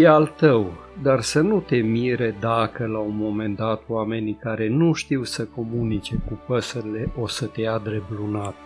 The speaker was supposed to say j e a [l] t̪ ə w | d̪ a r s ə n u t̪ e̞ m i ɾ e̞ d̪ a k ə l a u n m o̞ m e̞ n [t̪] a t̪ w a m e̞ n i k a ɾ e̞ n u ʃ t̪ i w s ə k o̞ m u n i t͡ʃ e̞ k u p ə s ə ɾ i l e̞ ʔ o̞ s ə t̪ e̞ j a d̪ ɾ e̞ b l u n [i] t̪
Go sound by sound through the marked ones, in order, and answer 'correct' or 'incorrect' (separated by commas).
correct, incorrect, incorrect